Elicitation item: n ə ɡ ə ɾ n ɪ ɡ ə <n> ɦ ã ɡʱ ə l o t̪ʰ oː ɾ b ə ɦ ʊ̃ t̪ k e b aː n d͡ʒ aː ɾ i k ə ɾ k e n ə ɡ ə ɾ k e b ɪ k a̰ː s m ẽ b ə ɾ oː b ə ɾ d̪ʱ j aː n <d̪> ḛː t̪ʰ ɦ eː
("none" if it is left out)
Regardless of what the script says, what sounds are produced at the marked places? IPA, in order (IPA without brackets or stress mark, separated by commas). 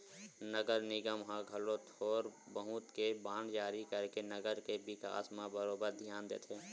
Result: m, d̪